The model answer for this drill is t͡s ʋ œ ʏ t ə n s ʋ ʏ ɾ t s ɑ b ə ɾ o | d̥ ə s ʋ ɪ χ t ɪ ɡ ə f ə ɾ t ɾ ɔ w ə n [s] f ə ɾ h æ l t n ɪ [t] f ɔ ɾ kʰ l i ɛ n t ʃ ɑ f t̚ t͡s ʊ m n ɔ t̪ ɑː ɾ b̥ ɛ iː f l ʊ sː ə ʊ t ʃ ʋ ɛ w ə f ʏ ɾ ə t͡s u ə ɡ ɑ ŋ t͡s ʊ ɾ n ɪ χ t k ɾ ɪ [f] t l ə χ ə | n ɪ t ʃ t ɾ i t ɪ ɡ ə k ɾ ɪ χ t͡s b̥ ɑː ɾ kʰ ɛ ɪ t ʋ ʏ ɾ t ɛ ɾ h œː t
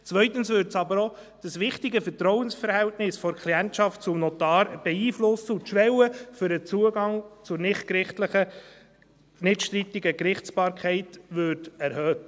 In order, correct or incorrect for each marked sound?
correct, incorrect, incorrect

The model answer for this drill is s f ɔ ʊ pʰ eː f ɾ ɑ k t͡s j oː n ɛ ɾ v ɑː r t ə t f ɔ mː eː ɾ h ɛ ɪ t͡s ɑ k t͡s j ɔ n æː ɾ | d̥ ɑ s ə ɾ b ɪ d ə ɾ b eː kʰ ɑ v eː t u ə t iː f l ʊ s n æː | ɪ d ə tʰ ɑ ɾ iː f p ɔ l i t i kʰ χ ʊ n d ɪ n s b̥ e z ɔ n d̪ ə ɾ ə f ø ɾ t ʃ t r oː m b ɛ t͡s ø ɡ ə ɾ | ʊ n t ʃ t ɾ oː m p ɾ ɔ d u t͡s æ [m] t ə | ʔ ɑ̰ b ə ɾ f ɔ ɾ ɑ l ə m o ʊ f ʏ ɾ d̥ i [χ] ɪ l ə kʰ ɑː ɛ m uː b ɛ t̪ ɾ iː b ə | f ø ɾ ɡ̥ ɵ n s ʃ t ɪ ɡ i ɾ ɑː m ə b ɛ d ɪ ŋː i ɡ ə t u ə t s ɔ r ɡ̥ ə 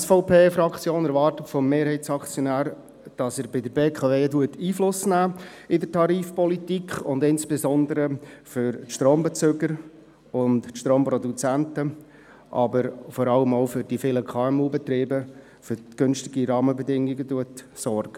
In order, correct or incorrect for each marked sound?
incorrect, incorrect

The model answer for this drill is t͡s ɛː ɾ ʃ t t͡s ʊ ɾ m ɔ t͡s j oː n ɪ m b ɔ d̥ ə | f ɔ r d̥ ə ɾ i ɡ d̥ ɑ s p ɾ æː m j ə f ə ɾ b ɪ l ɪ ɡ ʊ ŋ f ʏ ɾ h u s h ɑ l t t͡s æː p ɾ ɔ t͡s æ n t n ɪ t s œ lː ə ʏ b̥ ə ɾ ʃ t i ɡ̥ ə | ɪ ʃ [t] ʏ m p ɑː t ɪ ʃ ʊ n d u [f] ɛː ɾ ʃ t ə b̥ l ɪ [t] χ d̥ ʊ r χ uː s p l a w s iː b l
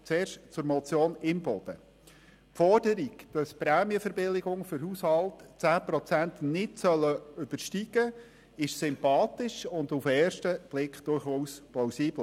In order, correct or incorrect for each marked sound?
incorrect, correct, incorrect

